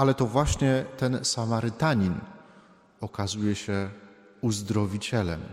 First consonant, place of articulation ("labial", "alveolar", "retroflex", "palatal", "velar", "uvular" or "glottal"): alveolar